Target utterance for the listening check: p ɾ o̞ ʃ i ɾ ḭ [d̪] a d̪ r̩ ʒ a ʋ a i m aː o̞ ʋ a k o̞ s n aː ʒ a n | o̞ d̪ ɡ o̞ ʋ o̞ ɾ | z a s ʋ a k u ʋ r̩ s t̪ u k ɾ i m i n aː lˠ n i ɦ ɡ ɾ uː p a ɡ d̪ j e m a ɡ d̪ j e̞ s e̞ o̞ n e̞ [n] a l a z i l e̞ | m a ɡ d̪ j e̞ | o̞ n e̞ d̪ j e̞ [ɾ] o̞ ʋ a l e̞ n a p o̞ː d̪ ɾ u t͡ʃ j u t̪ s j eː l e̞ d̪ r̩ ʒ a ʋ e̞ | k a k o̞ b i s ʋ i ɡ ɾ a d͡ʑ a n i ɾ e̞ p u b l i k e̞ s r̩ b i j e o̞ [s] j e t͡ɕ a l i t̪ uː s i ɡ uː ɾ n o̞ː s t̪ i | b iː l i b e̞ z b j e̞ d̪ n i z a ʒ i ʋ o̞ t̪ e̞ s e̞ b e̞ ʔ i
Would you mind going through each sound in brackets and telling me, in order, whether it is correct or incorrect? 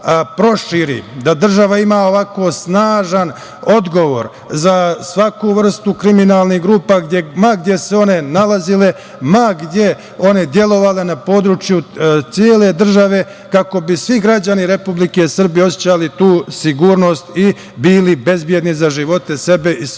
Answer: correct, correct, incorrect: l, correct

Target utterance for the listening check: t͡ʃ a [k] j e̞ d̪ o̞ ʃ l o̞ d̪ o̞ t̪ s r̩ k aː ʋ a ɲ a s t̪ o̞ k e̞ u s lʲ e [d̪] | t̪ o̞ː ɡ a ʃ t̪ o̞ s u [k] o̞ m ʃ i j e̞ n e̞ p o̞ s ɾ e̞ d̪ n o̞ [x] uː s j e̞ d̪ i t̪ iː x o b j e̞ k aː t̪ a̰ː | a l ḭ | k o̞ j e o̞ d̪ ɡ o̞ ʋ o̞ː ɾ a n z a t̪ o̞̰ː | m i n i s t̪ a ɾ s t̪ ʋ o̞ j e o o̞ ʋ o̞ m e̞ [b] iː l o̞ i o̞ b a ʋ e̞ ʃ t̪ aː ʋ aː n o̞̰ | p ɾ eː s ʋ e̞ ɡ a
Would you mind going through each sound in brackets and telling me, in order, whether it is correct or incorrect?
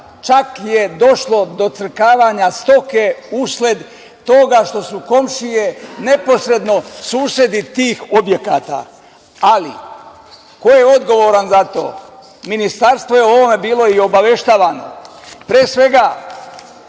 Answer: correct, correct, correct, incorrect: s, correct

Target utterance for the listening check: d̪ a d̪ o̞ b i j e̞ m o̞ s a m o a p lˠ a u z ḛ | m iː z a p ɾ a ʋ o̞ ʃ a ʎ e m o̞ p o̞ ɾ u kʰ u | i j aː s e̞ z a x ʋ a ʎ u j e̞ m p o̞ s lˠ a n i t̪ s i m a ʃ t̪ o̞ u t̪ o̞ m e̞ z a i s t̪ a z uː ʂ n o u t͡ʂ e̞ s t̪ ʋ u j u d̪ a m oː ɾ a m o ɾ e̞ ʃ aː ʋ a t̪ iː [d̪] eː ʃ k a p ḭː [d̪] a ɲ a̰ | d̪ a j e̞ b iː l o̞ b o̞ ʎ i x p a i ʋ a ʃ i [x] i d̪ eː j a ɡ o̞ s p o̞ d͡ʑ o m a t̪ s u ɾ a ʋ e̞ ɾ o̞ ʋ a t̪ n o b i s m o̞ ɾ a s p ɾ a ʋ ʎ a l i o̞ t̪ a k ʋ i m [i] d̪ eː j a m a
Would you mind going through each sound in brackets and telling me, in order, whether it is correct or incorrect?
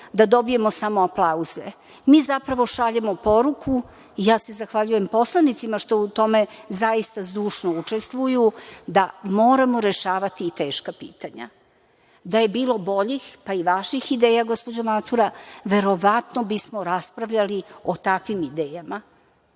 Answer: incorrect: t̪, incorrect: t̪, correct, correct

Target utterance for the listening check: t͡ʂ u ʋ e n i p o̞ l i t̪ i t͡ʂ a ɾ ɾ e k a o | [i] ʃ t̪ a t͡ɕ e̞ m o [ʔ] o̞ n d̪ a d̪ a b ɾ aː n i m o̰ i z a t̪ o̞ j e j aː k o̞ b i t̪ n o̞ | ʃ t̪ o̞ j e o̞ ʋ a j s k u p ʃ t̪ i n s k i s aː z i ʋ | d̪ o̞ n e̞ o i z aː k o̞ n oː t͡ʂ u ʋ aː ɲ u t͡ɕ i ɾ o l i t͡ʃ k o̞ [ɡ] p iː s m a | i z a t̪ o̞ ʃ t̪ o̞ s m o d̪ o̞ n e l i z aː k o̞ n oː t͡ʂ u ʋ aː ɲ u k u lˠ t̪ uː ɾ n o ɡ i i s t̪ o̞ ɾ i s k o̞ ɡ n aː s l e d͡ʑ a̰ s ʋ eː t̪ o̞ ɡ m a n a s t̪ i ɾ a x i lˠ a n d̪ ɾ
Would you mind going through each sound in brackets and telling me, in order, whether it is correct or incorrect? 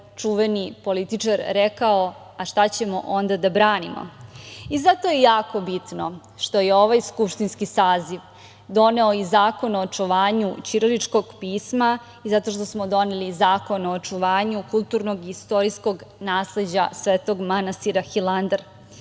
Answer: incorrect: a, correct, correct

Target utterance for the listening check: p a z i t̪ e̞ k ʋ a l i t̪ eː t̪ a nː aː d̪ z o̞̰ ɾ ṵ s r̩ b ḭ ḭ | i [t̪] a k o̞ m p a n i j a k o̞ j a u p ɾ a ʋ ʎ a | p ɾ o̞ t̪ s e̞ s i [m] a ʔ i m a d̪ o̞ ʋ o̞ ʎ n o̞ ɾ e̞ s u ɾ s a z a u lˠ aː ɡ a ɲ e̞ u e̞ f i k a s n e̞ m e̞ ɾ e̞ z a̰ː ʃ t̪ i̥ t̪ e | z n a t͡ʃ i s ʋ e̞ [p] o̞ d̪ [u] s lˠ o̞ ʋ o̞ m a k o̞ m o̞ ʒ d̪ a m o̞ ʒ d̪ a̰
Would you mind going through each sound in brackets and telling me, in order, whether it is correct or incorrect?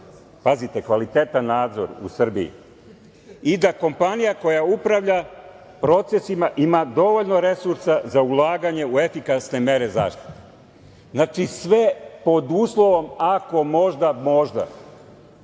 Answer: incorrect: d̪, correct, correct, incorrect: uː

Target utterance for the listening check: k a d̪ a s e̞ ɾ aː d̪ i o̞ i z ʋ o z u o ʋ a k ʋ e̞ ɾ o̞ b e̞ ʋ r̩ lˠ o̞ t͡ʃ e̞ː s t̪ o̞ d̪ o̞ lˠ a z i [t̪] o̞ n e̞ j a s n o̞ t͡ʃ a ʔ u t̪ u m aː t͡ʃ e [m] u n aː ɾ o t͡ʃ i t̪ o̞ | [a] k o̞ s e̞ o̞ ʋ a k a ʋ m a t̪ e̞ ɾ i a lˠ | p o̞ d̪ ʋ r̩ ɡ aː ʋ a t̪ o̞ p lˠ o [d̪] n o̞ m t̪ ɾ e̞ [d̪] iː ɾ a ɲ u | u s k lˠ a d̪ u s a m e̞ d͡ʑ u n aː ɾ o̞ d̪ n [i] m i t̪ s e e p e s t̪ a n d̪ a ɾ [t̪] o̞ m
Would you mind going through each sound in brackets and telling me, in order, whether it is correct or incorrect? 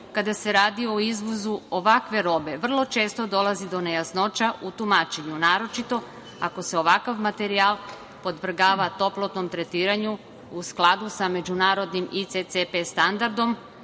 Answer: incorrect: d̪, incorrect: ɲ, correct, incorrect: t̪, incorrect: t̪, correct, incorrect: d̪

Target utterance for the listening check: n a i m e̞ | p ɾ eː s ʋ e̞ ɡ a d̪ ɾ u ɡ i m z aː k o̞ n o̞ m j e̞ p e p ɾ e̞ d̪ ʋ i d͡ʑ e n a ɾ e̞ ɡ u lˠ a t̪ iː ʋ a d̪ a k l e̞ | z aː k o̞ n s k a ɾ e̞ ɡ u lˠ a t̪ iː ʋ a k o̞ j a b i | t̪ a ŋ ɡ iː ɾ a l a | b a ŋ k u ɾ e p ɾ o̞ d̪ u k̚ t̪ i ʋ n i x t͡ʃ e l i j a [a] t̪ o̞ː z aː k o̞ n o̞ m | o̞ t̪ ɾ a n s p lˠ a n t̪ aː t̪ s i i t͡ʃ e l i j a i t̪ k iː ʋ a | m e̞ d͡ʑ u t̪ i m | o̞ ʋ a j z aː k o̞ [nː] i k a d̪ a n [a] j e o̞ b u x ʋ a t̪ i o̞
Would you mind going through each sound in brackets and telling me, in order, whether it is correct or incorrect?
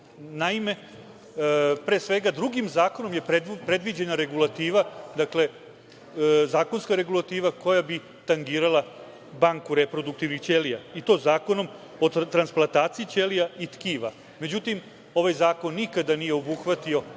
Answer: incorrect: i, correct, incorrect: i

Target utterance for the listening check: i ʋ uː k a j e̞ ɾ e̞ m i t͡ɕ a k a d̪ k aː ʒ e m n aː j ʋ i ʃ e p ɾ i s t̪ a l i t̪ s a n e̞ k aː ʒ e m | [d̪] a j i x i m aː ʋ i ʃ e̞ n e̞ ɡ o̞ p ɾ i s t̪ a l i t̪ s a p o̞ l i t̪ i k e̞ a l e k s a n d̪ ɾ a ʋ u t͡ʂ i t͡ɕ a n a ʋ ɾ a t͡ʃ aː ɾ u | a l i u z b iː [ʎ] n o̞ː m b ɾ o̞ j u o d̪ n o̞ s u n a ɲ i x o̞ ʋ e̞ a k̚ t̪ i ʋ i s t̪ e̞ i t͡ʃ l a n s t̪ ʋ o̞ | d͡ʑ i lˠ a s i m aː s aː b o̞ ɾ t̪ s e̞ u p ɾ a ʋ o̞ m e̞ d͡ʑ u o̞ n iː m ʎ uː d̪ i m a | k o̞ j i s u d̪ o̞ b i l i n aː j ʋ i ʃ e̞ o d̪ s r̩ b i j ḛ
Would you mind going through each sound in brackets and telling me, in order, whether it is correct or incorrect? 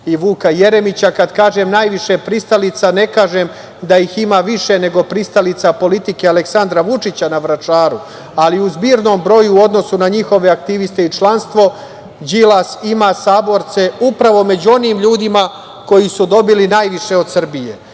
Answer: correct, incorrect: ɾ

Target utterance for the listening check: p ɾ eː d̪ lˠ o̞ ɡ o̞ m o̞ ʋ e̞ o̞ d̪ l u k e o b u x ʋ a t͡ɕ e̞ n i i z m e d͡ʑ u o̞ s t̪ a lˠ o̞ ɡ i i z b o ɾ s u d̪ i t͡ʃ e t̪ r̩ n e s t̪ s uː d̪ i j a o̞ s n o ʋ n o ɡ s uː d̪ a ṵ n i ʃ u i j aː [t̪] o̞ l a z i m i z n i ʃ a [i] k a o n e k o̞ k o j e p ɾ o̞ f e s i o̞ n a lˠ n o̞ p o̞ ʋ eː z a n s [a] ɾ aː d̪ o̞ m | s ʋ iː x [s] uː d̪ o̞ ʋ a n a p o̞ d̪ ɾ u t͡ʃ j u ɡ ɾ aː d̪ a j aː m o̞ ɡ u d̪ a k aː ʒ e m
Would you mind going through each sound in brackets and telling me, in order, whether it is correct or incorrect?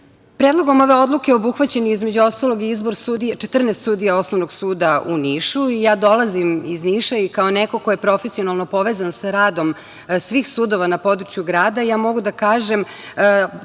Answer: incorrect: d̪, correct, correct, correct

